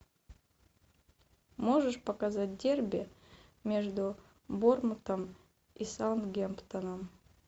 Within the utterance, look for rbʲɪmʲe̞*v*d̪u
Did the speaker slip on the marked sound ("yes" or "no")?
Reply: yes